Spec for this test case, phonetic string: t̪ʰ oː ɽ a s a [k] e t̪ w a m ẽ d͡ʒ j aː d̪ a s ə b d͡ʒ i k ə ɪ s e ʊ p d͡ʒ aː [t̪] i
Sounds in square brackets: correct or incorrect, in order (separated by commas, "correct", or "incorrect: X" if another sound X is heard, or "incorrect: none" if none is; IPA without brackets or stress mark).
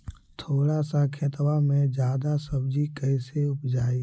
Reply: incorrect: kʰ, incorrect: none